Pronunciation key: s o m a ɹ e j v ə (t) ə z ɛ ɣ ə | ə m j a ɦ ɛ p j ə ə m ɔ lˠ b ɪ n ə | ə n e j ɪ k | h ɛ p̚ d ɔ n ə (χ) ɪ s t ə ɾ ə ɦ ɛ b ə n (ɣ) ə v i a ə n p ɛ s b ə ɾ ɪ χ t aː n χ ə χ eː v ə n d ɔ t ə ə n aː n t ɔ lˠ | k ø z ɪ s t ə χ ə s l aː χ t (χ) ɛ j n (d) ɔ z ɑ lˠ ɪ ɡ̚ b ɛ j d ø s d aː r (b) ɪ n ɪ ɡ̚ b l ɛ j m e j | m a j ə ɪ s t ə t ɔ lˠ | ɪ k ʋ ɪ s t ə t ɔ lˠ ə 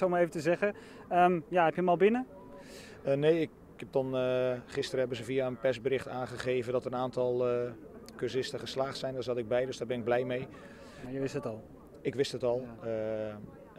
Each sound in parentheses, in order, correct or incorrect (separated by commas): correct, correct, incorrect, incorrect, correct, correct